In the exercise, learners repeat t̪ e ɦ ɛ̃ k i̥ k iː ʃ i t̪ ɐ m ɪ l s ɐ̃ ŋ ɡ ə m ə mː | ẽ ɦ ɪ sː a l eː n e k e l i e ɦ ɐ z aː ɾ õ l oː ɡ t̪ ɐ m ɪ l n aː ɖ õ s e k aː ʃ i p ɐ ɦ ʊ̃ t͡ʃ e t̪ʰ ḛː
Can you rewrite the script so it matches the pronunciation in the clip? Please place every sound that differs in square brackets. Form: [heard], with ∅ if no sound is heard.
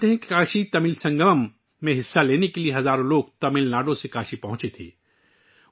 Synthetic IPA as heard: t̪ e ɦ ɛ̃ k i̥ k [aː] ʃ i t̪ ɐ m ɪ l s ɐ̃ ŋ ɡ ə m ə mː | ẽ ɦ ɪ sː a l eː n e k e l i e ɦ ɐ z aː ɾ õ l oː ɡ t̪ ɐ m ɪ l n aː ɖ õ s e k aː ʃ i p ɐ ɦ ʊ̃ t͡ʃ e t̪ʰ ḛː